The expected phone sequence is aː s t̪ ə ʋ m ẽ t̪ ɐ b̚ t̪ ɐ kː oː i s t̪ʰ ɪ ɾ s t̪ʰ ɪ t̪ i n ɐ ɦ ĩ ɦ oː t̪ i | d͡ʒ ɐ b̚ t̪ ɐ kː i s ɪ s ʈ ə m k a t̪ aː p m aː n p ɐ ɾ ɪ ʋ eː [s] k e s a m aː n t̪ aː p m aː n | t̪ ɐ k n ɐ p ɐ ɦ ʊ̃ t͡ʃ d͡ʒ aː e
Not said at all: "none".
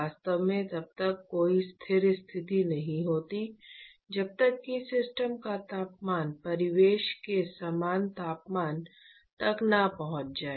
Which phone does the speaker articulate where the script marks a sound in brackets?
ʃ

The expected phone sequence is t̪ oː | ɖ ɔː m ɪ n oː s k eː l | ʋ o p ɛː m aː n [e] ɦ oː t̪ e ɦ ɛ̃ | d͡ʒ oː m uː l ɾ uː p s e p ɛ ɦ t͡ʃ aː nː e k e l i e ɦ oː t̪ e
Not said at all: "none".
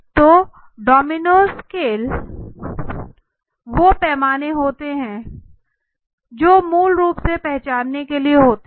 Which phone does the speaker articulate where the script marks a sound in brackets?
e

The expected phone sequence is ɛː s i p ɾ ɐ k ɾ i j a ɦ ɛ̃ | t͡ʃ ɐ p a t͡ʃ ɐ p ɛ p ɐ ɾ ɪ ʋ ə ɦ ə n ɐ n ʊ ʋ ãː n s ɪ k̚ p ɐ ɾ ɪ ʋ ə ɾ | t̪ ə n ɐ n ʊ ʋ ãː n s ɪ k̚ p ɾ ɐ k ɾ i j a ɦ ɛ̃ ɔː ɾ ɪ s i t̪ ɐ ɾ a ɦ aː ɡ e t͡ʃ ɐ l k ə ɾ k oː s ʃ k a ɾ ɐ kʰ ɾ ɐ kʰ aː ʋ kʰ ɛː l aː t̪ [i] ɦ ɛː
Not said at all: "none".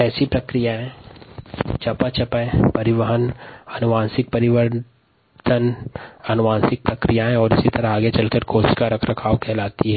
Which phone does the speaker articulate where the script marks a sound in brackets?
i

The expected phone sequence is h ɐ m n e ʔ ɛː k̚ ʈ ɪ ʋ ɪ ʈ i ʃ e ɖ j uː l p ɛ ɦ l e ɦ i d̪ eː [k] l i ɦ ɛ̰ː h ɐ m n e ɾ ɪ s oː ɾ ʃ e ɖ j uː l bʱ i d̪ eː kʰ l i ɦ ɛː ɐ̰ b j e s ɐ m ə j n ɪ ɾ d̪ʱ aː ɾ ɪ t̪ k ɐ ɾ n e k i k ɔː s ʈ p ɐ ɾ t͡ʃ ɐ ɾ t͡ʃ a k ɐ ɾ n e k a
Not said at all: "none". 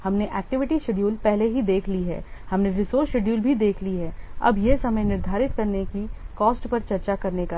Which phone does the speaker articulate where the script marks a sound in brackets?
kʰ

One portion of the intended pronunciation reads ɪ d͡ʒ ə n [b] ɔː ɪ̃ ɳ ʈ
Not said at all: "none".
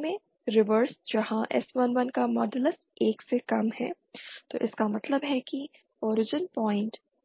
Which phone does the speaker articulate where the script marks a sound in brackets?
p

